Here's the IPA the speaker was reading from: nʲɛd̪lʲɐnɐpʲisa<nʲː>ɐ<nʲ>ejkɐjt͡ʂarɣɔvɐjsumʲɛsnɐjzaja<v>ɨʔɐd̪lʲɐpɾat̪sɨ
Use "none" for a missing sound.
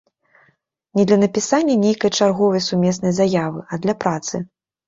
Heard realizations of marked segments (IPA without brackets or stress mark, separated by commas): nʲː, nʲ, v